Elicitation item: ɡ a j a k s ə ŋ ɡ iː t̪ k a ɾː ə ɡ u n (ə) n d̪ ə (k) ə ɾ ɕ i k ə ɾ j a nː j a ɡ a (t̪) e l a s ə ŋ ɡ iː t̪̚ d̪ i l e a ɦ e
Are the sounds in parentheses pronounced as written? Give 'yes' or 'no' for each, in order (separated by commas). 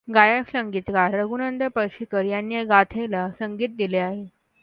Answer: yes, no, no